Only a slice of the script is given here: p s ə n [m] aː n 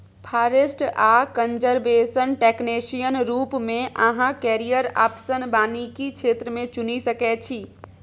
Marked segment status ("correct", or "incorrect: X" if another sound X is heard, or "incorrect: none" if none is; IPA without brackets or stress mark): incorrect: b